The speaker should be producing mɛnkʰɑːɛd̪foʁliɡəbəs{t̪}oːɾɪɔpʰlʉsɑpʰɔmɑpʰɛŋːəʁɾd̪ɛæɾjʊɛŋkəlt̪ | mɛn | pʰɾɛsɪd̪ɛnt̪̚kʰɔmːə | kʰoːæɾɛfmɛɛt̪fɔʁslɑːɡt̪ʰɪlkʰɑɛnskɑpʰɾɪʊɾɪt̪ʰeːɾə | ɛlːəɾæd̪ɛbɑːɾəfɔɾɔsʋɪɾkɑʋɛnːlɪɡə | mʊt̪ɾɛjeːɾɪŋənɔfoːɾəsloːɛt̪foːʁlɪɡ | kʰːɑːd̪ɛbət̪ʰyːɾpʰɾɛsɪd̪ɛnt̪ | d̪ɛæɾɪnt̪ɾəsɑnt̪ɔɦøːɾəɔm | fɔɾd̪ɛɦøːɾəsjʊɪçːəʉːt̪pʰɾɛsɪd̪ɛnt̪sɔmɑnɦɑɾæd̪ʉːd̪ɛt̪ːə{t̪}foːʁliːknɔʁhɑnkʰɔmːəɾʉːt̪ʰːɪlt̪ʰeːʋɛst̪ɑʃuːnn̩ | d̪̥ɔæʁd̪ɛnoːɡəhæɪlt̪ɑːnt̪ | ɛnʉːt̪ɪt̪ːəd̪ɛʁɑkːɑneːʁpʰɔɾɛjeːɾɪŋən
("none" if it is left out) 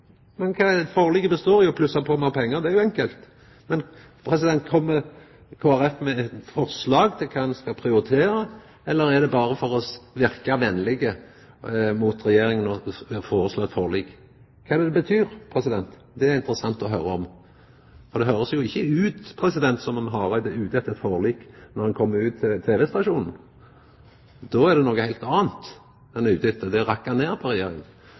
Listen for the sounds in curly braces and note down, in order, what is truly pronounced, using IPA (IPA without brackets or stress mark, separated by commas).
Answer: t̪, t̪